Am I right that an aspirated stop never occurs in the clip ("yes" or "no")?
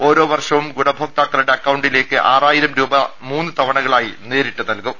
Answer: yes